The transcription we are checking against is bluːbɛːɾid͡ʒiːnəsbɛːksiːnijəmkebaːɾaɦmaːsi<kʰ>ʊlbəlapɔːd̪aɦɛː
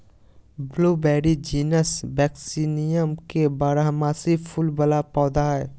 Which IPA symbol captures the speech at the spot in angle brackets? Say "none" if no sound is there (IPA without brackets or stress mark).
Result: pʰ